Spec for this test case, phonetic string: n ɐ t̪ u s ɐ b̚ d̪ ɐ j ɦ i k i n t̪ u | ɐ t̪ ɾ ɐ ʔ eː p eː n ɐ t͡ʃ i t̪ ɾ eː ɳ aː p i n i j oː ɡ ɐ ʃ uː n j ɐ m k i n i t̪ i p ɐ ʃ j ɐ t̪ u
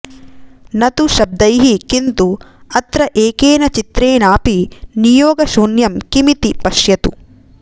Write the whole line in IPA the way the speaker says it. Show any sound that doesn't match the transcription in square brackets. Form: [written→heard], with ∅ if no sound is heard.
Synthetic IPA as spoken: n ɐ t̪ u [s→ʃ] ɐ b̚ d̪ ɐ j ɦ i k i n t̪ u | ɐ t̪ ɾ ɐ ʔ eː [p→k] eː n ɐ t͡ʃ i t̪ ɾ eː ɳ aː p i n i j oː ɡ ɐ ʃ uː n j ɐ m k i [n→m] i t̪ i p ɐ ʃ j ɐ t̪ u